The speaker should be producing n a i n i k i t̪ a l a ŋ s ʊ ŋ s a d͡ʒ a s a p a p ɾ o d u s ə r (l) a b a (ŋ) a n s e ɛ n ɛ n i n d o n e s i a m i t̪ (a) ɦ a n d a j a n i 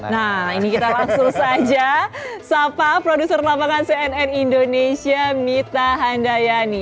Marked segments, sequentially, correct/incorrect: correct, correct, correct

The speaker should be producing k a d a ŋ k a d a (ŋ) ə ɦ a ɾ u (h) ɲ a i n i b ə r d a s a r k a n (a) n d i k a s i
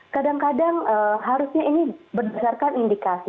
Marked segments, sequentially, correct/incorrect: correct, incorrect: s, incorrect: i

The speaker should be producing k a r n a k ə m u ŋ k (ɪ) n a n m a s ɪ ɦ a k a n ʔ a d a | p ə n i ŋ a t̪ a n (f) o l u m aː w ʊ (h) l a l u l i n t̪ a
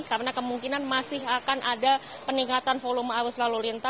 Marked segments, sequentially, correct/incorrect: incorrect: i, correct, incorrect: s

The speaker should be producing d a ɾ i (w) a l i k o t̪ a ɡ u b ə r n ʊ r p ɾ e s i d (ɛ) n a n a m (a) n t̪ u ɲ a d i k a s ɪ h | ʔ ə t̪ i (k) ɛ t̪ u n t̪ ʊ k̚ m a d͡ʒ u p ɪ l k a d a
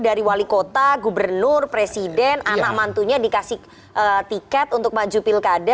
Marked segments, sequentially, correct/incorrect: correct, correct, correct, correct

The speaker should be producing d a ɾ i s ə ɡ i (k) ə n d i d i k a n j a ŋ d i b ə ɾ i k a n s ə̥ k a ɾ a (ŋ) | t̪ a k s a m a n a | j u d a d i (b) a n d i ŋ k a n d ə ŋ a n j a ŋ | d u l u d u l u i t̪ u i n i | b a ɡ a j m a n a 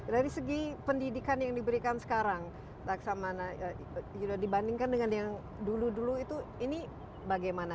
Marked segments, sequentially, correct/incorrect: incorrect: p, correct, correct

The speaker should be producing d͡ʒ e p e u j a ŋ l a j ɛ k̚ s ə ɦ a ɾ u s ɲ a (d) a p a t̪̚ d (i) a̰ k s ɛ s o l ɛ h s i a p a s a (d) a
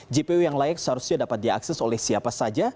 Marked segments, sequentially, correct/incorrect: correct, correct, incorrect: d͡ʒ

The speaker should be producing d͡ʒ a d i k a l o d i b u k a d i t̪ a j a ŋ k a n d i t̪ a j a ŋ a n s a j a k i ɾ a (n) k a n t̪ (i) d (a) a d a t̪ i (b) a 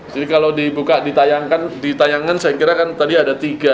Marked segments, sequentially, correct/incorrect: incorrect: none, incorrect: a, incorrect: i, incorrect: ɡ

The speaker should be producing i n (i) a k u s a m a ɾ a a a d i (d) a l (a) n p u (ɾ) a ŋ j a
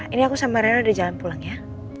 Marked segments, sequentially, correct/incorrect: correct, incorrect: d͡ʒ, correct, incorrect: l

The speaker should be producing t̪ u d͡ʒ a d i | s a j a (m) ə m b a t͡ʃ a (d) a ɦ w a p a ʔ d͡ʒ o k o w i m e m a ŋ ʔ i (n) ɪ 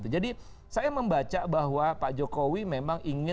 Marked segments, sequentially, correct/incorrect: correct, incorrect: b, incorrect: ŋ

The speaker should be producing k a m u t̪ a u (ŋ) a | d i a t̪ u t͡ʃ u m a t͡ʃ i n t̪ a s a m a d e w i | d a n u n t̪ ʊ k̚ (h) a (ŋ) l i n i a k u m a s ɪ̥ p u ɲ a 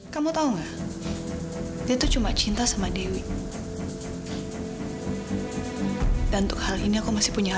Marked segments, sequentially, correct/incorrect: correct, correct, incorrect: none

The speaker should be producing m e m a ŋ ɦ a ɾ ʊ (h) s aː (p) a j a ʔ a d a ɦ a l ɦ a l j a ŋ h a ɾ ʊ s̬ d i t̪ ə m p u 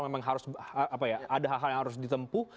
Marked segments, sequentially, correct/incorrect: incorrect: none, correct

